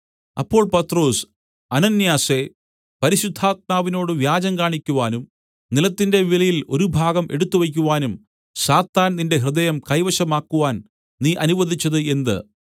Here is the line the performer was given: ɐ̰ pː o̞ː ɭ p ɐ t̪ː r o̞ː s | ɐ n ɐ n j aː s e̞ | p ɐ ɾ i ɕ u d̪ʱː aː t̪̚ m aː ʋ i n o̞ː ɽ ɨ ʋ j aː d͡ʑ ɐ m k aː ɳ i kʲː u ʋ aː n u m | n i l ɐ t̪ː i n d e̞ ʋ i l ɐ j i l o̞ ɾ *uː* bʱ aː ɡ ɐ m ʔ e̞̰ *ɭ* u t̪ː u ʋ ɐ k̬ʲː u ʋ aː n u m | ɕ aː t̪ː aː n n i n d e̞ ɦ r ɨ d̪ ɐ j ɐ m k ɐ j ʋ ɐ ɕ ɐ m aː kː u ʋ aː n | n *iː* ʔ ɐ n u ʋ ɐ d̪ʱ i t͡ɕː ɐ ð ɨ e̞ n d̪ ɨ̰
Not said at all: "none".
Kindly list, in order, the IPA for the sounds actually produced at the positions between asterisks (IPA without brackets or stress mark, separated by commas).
u, ɽ, iː